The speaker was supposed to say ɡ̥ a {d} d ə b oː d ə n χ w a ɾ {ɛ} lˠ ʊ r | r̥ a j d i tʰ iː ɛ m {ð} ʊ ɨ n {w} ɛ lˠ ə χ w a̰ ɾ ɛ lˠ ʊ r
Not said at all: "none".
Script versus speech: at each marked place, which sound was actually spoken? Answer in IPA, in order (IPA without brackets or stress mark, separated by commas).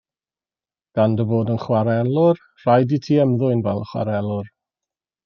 n, ɛ, ð, v